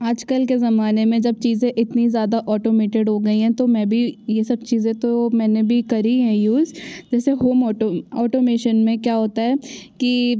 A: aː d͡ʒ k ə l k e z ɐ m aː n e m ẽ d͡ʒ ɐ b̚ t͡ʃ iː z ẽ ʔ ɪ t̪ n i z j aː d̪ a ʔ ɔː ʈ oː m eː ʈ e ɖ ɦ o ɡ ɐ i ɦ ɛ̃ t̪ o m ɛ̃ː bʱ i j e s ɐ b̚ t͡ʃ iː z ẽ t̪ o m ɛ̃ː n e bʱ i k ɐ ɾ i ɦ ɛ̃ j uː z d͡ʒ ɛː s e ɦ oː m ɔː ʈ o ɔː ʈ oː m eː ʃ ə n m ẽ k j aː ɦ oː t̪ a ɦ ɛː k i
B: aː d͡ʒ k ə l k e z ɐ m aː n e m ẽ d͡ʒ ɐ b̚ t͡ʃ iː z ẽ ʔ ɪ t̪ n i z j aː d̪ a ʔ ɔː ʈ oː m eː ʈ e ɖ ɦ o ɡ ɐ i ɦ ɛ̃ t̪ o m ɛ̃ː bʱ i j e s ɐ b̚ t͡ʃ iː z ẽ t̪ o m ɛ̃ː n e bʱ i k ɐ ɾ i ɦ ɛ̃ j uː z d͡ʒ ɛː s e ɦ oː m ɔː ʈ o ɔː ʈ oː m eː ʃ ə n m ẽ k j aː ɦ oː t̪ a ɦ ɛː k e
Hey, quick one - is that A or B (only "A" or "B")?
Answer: A